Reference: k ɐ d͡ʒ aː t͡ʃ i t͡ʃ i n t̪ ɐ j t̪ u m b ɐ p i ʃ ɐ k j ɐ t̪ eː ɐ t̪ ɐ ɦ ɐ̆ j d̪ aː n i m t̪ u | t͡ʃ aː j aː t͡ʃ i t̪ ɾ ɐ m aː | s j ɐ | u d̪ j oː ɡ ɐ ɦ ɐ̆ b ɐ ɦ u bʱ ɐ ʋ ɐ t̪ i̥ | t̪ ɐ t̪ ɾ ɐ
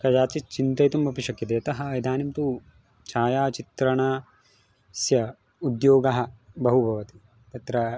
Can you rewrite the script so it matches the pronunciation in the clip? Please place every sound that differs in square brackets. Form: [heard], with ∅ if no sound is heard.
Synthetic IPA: k ɐ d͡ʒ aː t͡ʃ i t͡ʃ i n t̪ ɐ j t̪ u m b ɐ p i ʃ ɐ k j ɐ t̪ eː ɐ t̪ ɐ ɦ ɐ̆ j d̪ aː n i m t̪ u | t͡ʃ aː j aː t͡ʃ i t̪ ɾ ɐ [ɳ] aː | s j ɐ | u d̪ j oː ɡ ɐ ɦ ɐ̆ b ɐ ɦ u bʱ ɐ ʋ ɐ t̪ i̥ | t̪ ɐ t̪ ɾ ɐ

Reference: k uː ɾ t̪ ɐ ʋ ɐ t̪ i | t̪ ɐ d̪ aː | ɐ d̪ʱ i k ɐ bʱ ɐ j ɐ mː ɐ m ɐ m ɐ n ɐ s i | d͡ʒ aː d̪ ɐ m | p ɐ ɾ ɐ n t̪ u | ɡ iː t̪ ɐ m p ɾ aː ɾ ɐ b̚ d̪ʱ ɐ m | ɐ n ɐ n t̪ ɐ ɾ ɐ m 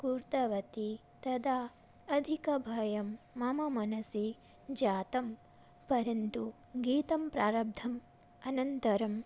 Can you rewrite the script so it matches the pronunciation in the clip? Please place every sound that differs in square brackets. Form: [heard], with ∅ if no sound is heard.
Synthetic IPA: k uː ɾ t̪ ɐ ʋ ɐ t̪ i | t̪ ɐ d̪ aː | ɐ d̪ʱ i k ɐ bʱ ɐ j ɐ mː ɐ m ɐ m ɐ n ɐ s i | d͡ʒ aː [t̪] ɐ m | p ɐ ɾ ɐ n t̪ u | ɡ iː t̪ ɐ m p ɾ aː ɾ ɐ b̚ d̪ʱ ɐ m | ɐ n ɐ n t̪ ɐ ɾ ɐ m

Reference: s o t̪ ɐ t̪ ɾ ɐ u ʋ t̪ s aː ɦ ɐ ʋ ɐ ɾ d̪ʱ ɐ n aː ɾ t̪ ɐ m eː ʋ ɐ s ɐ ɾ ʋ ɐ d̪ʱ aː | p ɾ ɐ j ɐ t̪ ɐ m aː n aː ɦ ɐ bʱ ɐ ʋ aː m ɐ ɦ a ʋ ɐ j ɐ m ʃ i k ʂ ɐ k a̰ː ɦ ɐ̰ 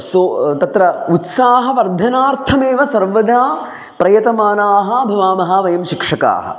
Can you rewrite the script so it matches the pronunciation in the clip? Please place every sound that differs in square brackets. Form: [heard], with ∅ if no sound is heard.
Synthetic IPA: s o t̪ ɐ t̪ ɾ ɐ u [∅] t̪ s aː ɦ ɐ ʋ ɐ ɾ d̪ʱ ɐ n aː ɾ [t̪ʰ] ɐ m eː ʋ ɐ s ɐ ɾ ʋ ɐ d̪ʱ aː | p ɾ ɐ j ɐ t̪ ɐ m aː n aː ɦ ɐ bʱ ɐ ʋ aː m ɐ ɦ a ʋ ɐ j ɐ m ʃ i k ʂ ɐ k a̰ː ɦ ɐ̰

